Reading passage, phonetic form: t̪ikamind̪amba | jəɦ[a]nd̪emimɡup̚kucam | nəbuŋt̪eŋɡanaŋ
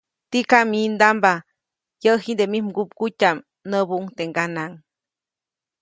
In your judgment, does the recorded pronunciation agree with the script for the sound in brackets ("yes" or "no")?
no